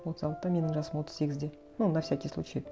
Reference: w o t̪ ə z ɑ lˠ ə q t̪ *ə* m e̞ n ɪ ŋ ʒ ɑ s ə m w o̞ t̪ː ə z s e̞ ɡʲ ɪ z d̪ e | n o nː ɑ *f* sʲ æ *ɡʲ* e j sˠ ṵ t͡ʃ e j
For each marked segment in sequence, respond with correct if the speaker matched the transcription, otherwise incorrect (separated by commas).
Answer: incorrect, correct, incorrect